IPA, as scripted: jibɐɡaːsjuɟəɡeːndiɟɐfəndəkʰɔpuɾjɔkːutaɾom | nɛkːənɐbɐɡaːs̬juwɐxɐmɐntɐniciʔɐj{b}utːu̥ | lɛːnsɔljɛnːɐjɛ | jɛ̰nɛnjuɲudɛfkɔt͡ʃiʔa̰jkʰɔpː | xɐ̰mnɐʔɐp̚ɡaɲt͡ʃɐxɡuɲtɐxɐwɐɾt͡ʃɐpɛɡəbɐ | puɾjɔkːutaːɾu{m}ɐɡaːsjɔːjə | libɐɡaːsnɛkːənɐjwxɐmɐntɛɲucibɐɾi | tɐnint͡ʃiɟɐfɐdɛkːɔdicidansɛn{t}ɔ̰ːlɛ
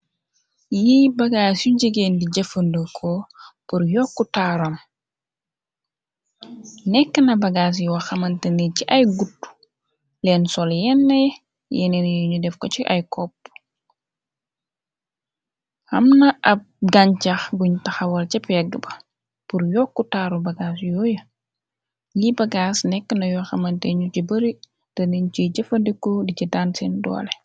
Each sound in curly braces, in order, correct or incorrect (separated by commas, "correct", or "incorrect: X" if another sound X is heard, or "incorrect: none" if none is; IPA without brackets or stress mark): incorrect: ɡ, incorrect: b, incorrect: d